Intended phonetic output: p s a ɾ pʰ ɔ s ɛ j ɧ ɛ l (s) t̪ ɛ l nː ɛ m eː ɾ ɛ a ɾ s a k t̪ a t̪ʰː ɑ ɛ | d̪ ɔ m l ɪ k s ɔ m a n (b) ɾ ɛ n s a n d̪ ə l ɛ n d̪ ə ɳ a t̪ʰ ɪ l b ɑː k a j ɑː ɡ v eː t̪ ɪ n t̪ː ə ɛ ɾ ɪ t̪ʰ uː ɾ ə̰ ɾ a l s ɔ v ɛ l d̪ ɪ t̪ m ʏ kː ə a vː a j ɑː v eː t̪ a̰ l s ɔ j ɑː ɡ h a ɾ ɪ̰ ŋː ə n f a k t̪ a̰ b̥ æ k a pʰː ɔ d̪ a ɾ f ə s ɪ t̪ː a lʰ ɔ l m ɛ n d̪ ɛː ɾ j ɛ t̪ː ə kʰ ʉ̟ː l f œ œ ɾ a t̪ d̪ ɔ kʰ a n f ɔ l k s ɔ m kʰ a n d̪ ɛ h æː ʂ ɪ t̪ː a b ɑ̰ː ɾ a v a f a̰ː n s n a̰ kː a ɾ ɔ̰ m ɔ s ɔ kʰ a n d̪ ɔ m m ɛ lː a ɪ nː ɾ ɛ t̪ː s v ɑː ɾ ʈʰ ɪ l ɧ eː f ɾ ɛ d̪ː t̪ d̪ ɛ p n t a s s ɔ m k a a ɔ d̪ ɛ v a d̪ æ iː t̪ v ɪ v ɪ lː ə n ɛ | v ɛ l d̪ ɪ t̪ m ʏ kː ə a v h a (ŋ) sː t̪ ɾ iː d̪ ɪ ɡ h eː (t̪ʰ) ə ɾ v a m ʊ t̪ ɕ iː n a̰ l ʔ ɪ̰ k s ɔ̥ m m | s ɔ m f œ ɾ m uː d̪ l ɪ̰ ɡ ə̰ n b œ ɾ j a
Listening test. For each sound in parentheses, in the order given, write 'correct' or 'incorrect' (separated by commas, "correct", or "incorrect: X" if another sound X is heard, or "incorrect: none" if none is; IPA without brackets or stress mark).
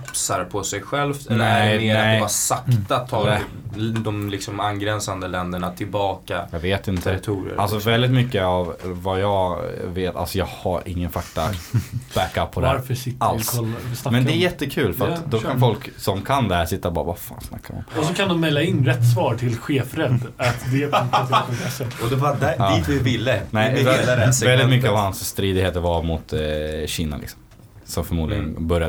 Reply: incorrect: f, incorrect: ɡ, incorrect: n, incorrect: t̪